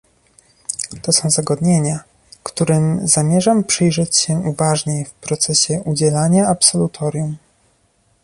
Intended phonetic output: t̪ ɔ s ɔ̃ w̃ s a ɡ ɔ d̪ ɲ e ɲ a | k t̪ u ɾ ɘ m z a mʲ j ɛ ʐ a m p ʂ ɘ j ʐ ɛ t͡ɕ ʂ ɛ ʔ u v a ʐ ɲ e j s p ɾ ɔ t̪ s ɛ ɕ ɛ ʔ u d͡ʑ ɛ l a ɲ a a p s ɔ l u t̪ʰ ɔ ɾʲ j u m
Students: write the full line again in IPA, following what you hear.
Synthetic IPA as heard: t̪ ɔ s ɔ̃ w̃ z a ɡ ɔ d̪ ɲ e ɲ a | k t̪ u ɾ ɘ m z a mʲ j ɛ ʐ a m p ʂ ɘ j ʐ ɛ t͡ɕ ɕ ɛ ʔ u v a ʐ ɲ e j f p ɾ ɔ t̪ s ɛ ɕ ɛ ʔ u d͡ʑ ɛ l a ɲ a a p s ɔ l u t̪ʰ ɔ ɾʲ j u m